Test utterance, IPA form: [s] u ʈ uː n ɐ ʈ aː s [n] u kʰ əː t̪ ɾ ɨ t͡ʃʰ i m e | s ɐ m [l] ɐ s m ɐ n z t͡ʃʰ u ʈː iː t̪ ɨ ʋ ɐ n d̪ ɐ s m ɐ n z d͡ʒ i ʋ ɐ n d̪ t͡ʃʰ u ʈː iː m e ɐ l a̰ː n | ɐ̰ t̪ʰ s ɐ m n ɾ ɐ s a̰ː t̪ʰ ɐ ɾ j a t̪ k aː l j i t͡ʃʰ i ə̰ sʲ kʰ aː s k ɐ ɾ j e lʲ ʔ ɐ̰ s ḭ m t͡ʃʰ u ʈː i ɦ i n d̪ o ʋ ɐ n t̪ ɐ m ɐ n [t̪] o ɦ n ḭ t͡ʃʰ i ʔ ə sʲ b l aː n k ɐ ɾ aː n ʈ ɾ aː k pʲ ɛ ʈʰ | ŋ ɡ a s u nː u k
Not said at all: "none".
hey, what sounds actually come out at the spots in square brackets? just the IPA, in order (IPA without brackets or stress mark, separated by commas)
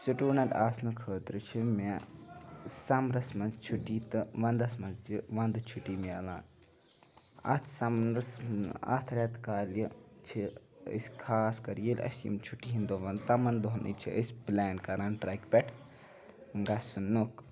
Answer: s, n, ɾ, d̪